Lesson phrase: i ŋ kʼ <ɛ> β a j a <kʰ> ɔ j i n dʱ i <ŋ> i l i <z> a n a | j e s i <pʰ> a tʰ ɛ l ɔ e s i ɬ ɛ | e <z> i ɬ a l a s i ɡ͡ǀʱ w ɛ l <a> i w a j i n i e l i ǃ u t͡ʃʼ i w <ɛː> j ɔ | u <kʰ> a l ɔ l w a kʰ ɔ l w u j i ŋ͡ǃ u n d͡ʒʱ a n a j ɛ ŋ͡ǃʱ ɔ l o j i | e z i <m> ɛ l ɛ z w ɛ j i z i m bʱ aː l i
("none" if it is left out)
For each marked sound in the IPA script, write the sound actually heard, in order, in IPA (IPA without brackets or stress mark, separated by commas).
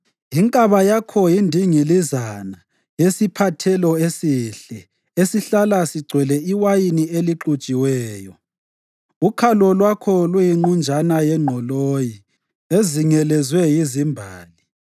a, kʰ, ŋ, z, pʰ, s, ɛ, ɛː, kʰ, ŋ